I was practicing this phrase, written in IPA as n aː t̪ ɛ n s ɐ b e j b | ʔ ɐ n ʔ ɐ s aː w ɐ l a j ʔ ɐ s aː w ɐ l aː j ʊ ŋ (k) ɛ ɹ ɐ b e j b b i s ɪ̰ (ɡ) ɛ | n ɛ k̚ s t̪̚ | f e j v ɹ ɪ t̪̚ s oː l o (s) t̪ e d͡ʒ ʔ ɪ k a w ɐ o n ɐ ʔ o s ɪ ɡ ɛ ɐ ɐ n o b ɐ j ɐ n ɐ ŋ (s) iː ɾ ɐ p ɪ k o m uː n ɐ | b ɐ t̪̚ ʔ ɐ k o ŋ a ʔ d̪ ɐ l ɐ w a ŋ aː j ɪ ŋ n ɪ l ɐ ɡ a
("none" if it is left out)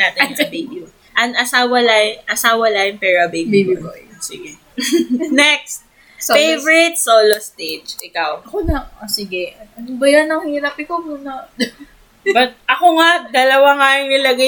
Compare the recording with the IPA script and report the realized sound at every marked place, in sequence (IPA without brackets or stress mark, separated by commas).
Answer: p, ɡ, s, h